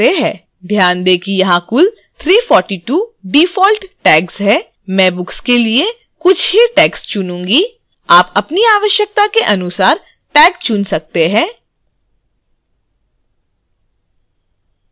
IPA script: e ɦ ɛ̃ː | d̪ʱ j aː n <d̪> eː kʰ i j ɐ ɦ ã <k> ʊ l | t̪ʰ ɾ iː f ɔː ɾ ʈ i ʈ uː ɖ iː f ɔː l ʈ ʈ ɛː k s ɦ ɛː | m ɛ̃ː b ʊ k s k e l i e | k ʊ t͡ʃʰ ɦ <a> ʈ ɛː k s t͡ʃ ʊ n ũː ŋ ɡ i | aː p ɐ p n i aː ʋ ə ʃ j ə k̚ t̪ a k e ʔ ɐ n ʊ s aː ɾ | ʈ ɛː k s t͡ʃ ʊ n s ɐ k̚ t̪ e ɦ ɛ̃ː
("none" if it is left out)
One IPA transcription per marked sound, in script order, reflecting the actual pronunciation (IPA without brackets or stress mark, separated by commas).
d̪, k, i